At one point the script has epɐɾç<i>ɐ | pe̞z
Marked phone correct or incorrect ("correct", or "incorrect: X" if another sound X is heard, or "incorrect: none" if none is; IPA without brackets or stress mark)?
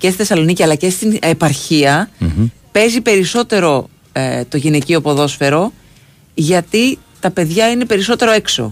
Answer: correct